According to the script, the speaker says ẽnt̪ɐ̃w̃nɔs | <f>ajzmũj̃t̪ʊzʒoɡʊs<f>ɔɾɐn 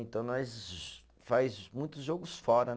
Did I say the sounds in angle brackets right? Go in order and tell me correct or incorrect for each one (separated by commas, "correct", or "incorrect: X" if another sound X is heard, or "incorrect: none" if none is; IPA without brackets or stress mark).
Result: correct, correct